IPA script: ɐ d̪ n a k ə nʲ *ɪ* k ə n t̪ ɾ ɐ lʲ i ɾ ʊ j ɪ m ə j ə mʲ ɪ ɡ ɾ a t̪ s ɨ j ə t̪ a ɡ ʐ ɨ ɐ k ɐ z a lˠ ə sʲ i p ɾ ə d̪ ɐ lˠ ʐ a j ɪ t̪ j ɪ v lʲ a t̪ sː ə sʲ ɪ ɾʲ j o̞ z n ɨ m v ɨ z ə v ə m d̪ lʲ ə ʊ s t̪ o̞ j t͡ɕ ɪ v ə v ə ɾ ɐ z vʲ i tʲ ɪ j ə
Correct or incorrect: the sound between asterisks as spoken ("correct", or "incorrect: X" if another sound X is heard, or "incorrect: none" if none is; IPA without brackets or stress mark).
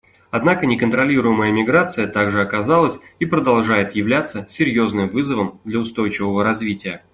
correct